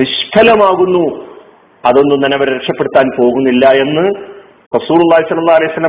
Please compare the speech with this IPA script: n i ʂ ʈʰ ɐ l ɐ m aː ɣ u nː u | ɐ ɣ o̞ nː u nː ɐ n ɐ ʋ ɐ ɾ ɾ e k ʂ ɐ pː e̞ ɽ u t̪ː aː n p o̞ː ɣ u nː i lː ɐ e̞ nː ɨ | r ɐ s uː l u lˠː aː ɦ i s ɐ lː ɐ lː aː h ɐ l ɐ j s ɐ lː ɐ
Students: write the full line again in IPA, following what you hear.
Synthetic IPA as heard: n i ʂ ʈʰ ɐ l ɐ m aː ɣ u nː u | ɐ ð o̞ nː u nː ɐ n ɐ ʋ ɐ ɾ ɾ e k ʂ ɐ pː e̞ ɽ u t̪ː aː n p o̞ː ɣ u nː i lː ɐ e̞ nː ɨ | r ɐ s uː l u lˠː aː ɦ i s ɐ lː ɐ lː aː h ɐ l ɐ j s ɐ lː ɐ